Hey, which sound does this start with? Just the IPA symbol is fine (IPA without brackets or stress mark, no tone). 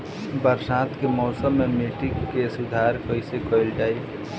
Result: b